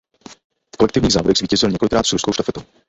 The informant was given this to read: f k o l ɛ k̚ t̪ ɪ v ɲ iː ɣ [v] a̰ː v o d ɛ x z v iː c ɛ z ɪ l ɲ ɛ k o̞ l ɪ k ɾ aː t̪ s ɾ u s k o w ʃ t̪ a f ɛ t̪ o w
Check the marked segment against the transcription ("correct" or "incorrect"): incorrect